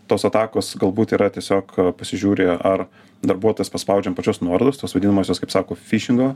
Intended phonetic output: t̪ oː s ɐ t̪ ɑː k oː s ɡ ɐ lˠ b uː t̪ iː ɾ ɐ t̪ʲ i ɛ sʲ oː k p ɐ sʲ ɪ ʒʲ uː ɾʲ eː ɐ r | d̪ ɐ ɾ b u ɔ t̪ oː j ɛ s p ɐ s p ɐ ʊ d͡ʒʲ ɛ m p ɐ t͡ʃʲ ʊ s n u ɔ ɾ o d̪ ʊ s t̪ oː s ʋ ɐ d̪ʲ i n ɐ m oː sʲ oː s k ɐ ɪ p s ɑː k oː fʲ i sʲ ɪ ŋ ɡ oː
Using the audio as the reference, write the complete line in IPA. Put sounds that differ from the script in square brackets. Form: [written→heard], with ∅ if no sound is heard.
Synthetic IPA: t̪ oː s ɐ t̪ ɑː k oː s ɡ ɐ lˠ b uː t̪ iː ɾ ɐ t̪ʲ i ɛ sʲ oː k p ɐ sʲ ɪ ʒʲ uː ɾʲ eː ɐ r | d̪ ɐ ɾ b u ɔ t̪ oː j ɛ s p ɐ s p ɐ ʊ d͡ʒʲ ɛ m p ɐ t͡ʃʲ ʊ s n u ɔ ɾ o d̪ ʊ s t̪ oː s ʋ ɐ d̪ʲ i n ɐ m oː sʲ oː s k ɐ ɪ p s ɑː k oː fʲ i [sʲ→ʃʲ] ɪ ŋ ɡ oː